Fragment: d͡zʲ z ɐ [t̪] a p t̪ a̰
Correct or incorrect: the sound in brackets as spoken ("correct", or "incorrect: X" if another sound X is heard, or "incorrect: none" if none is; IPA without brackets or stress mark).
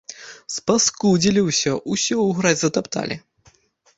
correct